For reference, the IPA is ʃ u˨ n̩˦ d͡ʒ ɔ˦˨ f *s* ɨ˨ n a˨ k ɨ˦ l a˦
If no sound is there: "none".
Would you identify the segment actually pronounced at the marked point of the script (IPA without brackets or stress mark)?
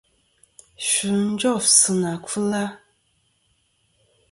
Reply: s